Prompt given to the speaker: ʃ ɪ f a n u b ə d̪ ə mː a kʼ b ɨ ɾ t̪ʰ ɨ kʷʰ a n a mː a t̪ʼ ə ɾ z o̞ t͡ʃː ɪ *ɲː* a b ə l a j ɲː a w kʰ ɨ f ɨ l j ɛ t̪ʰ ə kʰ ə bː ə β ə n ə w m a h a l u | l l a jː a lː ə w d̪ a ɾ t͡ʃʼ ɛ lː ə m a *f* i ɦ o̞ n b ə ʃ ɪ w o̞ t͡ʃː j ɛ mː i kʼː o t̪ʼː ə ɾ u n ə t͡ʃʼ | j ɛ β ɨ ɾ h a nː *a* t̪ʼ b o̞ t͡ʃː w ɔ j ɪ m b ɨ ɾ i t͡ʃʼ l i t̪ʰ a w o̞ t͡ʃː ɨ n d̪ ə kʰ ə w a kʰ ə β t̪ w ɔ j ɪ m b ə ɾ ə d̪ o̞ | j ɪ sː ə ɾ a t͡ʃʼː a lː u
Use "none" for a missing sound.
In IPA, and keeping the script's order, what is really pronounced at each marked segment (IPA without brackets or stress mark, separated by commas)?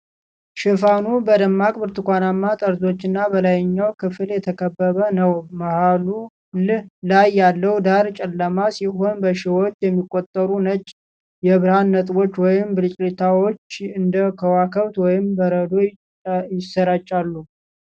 nː, s, ə